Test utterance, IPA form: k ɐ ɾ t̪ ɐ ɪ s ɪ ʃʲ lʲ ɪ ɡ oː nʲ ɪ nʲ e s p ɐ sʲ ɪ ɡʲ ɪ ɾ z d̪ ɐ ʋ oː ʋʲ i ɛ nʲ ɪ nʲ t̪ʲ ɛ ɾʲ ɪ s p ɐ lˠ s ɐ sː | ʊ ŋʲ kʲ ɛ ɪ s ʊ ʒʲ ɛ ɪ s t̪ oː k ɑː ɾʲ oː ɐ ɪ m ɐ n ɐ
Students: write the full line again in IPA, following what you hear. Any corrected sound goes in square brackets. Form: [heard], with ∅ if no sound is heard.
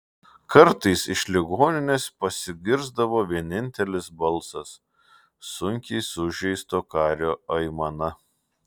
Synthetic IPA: k ɐ ɾ t̪ ɐ ɪ s ɪ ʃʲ lʲ ɪ ɡ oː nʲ ɪ nʲ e s p ɐ sʲ ɪ ɡʲ ɪ ɾ z d̪ ɐ ʋ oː ʋʲ i ɛ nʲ ɪ nʲ t̪ʲ ɛ [lʲ] ɪ s [b] ɐ lˠ s ɐ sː | ʊ ŋʲ kʲ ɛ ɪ s ʊ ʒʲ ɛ ɪ s t̪ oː k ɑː ɾʲ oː ɐ ɪ m ɐ n ɐ

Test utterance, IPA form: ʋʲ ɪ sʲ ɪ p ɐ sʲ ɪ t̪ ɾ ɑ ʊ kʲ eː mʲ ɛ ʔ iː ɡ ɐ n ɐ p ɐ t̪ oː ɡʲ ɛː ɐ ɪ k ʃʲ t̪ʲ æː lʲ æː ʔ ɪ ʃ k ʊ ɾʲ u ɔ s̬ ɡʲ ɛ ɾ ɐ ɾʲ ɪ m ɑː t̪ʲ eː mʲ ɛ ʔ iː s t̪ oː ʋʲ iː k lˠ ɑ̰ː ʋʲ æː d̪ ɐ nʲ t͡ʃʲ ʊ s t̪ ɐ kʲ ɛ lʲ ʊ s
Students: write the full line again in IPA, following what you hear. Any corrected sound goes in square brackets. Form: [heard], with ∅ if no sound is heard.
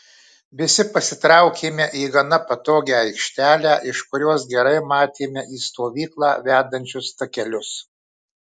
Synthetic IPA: ʋʲ ɪ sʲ ɪ p ɐ sʲ ɪ t̪ ɾ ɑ ʊ kʲ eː mʲ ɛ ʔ iː ɡ ɐ n ɐ p ɐ t̪ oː ɡʲ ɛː ɐ ɪ k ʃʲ t̪ʲ æː lʲ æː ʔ ɪ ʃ k ʊ ɾʲ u ɔ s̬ ɡʲ ɛ ɾ ɐ [∅] ɪ m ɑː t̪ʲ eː mʲ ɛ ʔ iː s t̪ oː ʋʲ iː k lˠ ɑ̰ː ʋʲ æː d̪ ɐ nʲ t͡ʃʲ ʊ s t̪ ɐ kʲ ɛ lʲ ʊ s

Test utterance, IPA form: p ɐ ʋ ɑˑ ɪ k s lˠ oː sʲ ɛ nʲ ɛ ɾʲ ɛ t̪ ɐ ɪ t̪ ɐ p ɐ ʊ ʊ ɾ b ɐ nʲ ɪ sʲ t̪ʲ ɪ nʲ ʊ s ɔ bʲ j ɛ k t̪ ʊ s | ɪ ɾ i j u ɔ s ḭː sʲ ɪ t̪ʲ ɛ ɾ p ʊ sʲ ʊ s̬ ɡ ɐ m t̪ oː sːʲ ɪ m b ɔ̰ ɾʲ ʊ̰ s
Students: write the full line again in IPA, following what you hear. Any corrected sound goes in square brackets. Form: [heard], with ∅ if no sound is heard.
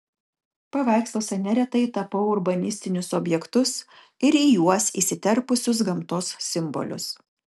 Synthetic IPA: p ɐ ʋ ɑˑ ɪ k s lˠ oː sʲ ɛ nʲ ɛ ɾʲ ɛ t̪ ɐ ɪ t̪ ɐ p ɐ ʊ ʊ ɾ b ɐ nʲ ɪ sʲ t̪ʲ ɪ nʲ ʊ s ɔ bʲ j ɛ k t̪ ʊ s | ɪ ɾ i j u ɔ s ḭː sʲ ɪ t̪ʲ ɛ ɾ p ʊ sʲ ʊ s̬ ɡ ɐ m t̪ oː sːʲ ɪ m b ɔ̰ [lʲ] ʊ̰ s

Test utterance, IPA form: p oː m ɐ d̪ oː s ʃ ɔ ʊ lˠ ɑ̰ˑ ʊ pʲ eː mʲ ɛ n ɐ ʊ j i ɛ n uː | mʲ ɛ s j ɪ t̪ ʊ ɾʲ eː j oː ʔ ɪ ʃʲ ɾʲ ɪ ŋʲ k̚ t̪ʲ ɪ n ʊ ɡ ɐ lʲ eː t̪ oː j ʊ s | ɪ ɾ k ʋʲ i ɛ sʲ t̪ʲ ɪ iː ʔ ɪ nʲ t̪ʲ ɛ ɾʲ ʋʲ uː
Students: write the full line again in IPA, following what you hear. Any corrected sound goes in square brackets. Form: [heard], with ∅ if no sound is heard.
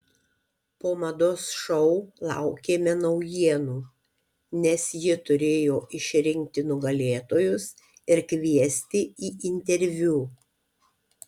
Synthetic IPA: p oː m ɐ d̪ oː s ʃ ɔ ʊ lˠ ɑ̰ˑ ʊ [kʲ] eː mʲ ɛ n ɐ ʊ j i ɛ n uː | [nʲ] ɛ s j ɪ t̪ ʊ ɾʲ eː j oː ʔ ɪ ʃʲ ɾʲ ɪ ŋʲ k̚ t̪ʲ ɪ n ʊ ɡ ɐ lʲ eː t̪ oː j ʊ s | ɪ ɾ k ʋʲ i ɛ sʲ t̪ʲ ɪ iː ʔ ɪ nʲ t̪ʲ ɛ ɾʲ ʋʲ uː

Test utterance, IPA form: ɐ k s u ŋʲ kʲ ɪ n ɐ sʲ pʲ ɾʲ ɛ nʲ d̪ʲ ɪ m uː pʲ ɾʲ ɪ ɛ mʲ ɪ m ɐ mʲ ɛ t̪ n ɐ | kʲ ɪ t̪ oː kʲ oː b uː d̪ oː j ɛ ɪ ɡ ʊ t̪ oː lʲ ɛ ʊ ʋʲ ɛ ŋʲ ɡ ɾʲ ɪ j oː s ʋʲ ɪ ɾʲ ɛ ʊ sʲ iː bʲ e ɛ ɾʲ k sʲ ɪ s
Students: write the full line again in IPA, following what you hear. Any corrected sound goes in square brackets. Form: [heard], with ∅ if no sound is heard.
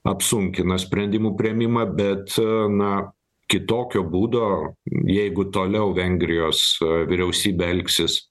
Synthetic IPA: ɐ [p] s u ŋʲ kʲ ɪ n ɐ sʲ pʲ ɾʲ ɛ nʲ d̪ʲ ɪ m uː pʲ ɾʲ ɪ ɛ mʲ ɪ m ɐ [bʲ] ɛ t̪ n ɐ | kʲ ɪ t̪ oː kʲ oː b uː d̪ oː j ɛ ɪ ɡ ʊ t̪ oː lʲ ɛ ʊ ʋʲ ɛ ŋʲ ɡ ɾʲ ɪ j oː s ʋʲ ɪ ɾʲ ɛ ʊ sʲ iː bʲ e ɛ [lʲ] k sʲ ɪ s

